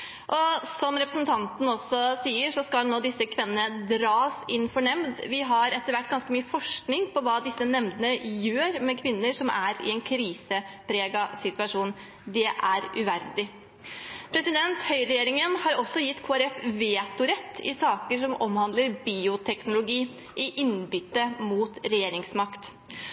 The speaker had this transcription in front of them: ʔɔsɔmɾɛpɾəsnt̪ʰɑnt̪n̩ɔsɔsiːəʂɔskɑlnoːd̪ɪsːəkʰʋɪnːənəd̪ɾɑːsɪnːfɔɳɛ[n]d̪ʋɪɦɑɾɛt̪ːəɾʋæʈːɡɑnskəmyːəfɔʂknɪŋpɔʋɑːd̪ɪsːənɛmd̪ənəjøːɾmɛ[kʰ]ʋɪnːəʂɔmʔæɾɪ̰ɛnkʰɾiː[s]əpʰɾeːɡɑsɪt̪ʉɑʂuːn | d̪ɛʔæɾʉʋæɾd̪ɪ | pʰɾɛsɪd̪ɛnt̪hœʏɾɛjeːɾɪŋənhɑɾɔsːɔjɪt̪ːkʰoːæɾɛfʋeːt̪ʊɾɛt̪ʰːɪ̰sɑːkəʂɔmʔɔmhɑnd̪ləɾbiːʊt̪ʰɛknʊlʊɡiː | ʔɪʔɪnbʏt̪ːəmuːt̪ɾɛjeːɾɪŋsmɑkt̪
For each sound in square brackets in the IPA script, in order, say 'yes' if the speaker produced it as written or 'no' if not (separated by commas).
no, yes, yes